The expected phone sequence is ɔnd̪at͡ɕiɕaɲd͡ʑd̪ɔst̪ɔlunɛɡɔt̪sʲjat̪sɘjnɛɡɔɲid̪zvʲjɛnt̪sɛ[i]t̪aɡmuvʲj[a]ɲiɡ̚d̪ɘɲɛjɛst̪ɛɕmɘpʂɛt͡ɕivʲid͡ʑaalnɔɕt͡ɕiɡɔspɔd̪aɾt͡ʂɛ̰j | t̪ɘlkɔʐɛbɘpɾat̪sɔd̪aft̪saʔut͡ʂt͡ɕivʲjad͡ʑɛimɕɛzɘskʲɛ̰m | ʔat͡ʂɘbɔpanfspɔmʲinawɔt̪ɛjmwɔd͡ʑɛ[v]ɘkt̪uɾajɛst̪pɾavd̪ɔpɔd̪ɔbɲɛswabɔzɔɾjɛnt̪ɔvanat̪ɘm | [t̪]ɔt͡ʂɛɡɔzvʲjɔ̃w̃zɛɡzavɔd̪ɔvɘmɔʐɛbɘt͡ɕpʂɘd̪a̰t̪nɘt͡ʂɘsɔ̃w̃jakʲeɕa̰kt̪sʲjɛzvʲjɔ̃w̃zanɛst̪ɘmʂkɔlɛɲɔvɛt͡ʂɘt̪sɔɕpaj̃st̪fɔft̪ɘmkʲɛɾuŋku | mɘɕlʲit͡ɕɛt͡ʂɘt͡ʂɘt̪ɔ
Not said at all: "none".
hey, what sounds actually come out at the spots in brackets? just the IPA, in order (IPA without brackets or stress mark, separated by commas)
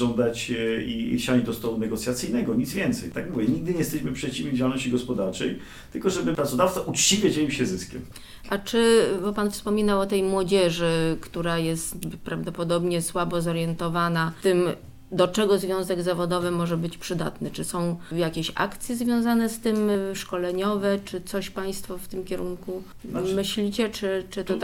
j, ɛ, ʐ, d̪